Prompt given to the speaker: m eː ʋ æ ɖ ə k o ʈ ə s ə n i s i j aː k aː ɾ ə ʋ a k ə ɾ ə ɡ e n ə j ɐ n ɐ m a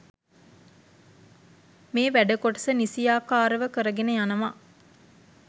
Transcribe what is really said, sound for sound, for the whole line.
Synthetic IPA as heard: m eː ʋ æ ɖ ə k o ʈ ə s ə n i s i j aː k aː ɾ ə ʋ ə k ə ɾ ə ɡ e n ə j a n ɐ m a

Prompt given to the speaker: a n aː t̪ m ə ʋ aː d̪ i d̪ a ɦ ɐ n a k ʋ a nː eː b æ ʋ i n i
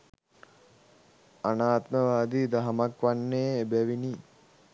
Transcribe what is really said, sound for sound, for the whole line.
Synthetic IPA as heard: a n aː t̪ m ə ʋ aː d̪ i d̪ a ɦ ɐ m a k ʋ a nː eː b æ ʋ i n i

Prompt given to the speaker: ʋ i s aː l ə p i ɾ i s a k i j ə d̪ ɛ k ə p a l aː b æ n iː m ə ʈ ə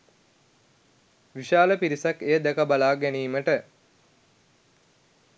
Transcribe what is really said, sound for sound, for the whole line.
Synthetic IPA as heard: ʋ i ʃ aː l ə p i ɾ i s a k e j ə d̪ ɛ k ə b a l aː ɡ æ n iː m ə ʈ ə

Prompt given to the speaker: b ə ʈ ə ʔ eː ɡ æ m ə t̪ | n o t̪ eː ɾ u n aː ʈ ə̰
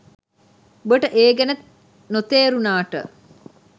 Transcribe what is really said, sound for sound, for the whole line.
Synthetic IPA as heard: b ə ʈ ə ʔ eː ɡ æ n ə t̪ | n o t̪ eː ɾ u n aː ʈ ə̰

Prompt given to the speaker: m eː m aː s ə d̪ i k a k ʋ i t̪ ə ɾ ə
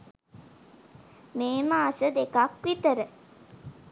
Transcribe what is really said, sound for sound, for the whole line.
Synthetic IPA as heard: m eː m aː s ə d̪ e k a k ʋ i t̪ ə ɾ ə

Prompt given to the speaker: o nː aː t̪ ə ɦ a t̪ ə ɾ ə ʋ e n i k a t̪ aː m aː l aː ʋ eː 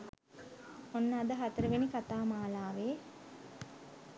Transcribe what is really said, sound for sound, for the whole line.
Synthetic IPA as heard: o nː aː d̪ ə ɦ a t̪ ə ɾ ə ʋ e n i k a t̪ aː m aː l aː ʋ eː

